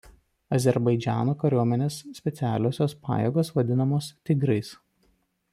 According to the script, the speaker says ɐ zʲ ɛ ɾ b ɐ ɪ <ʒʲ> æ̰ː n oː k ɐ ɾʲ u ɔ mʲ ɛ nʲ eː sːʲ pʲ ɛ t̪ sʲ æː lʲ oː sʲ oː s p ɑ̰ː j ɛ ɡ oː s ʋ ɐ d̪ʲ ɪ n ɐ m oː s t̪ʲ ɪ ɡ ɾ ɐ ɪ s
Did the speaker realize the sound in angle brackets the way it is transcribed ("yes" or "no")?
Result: no